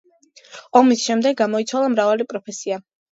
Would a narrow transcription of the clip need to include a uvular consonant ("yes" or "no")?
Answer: no